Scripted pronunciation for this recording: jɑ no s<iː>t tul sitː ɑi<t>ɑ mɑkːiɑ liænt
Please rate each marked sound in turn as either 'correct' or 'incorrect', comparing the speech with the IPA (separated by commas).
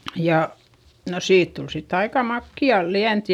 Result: correct, incorrect